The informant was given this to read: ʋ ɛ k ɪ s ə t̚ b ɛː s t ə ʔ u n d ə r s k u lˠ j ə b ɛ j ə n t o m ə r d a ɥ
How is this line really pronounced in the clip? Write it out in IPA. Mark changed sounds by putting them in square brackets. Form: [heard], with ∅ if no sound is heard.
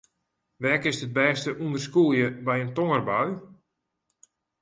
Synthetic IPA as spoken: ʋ ɛ k ɪ s ə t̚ b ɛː s t ə ʔ u n d ə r s k u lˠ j ə b ɛ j ə n t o [ŋ] ə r [b] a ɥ